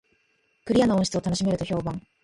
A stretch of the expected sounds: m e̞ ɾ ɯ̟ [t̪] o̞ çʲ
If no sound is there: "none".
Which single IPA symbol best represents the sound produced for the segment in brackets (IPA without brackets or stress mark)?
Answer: t̪